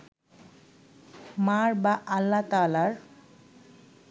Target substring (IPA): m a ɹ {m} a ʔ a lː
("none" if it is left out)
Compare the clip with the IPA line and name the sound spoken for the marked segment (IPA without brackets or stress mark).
b